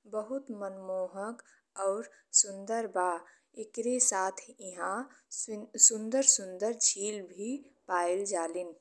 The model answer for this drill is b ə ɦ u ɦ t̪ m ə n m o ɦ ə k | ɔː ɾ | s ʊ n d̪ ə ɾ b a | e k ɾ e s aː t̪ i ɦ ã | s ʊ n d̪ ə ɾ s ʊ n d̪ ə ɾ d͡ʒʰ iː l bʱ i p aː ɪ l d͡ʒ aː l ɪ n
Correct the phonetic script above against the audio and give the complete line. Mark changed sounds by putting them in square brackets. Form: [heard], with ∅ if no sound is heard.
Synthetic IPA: b ə ɦ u [∅] t̪ m ə n m o ɦ ə k | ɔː ɾ | s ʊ n d̪ ə ɾ b a | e k ɾ e s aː [t̪ʰ] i ɦ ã | s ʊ n d̪ ə ɾ s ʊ n d̪ ə ɾ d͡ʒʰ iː l bʱ i p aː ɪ l d͡ʒ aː l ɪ n